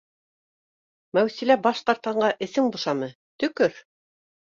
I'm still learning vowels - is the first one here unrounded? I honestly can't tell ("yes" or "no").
yes